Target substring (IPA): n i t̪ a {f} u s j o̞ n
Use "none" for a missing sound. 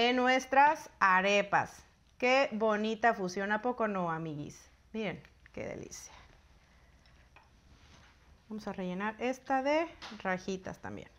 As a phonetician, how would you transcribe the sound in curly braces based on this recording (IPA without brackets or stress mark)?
f